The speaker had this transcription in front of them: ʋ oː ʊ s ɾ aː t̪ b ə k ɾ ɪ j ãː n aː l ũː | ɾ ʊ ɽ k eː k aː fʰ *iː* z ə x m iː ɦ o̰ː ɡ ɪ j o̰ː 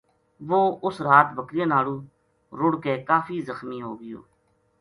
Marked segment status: correct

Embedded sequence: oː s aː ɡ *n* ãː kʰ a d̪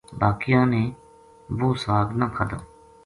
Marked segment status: correct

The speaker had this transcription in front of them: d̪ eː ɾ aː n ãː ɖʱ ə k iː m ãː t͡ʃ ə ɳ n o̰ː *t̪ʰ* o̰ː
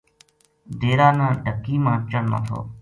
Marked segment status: correct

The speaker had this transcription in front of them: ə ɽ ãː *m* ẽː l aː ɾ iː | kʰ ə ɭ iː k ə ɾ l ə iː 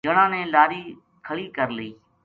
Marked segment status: incorrect: n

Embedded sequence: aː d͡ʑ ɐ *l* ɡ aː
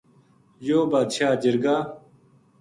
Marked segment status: incorrect: ɾ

